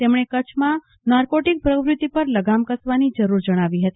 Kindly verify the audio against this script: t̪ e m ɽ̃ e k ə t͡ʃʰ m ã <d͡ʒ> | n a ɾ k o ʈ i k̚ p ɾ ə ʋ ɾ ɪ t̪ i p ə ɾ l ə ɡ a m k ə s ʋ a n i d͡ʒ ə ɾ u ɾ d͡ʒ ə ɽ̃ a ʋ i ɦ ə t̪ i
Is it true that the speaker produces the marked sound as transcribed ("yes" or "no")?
no